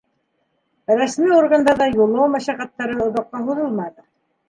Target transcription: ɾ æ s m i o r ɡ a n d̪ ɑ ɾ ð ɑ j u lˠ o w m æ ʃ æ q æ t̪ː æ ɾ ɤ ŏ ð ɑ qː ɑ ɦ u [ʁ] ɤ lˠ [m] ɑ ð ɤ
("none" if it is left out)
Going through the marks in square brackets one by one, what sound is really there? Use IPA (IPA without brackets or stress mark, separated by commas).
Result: ð, m